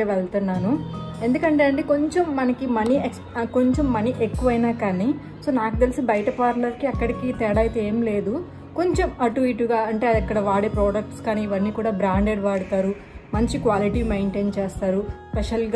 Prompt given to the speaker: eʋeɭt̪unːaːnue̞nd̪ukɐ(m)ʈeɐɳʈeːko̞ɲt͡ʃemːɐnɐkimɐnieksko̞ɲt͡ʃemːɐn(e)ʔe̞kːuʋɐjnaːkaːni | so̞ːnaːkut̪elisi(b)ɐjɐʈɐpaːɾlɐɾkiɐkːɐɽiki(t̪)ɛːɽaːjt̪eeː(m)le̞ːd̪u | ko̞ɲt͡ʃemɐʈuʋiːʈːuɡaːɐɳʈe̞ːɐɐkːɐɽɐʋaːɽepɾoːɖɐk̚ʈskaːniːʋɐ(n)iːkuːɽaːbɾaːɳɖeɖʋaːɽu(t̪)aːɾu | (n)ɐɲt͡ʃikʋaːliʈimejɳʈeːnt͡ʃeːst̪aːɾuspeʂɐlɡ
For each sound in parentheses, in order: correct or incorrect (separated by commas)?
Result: incorrect, incorrect, correct, correct, correct, incorrect, correct, incorrect